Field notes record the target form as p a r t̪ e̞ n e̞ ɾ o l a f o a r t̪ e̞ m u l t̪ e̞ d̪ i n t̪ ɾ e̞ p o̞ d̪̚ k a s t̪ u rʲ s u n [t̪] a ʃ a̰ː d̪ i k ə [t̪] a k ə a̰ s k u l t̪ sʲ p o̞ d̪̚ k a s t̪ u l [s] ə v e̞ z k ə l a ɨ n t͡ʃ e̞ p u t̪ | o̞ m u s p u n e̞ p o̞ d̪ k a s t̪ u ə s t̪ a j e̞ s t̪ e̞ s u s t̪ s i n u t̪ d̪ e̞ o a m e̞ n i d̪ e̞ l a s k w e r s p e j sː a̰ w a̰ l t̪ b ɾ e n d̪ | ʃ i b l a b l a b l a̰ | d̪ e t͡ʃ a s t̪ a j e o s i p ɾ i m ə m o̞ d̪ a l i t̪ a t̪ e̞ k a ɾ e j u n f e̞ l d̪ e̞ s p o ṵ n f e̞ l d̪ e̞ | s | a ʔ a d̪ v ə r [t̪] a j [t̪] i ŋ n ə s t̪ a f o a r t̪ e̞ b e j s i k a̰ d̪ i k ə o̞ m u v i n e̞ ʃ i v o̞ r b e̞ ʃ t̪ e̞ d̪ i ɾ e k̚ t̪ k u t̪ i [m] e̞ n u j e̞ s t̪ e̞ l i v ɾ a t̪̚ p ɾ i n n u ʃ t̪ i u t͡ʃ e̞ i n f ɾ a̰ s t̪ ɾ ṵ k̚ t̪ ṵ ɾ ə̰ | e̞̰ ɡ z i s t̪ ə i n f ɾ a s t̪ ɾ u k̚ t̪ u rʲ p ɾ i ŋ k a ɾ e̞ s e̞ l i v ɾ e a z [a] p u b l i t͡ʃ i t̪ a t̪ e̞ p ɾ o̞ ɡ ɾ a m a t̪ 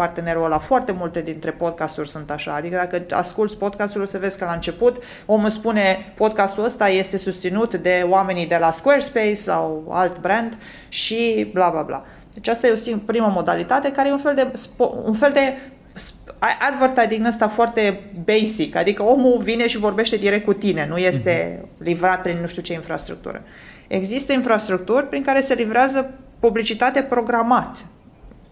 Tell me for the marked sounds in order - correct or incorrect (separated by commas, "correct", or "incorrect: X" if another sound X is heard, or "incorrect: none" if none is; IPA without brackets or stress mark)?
correct, incorrect: d̪, correct, correct, incorrect: d̪, incorrect: n, incorrect: ə